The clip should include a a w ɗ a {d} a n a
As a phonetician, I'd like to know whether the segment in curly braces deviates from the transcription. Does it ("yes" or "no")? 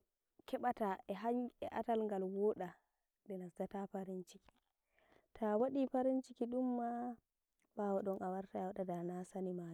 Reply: no